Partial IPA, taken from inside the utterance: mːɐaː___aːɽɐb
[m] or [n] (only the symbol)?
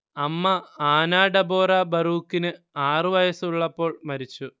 n